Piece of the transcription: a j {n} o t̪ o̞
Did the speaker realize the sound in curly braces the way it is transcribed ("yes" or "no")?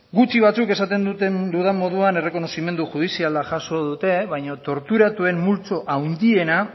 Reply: no